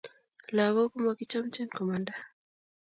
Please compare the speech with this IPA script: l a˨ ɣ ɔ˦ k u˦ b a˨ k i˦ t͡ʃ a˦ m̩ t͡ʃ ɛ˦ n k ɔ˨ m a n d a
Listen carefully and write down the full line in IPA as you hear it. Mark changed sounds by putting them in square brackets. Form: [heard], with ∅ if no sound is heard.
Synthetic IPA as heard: l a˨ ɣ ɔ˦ k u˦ [m] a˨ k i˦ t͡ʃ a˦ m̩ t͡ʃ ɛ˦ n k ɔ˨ m a n d a